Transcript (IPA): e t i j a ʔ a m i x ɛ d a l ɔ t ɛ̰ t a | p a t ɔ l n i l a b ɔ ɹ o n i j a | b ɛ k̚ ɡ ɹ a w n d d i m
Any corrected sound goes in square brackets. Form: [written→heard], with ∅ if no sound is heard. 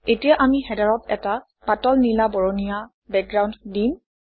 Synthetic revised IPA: e t i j a ʔ a m i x ɛ d a [l→ɹ] ɔ t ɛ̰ t a | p a t ɔ l n i l a b ɔ ɹ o n i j a | b ɛ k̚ ɡ ɹ a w n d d i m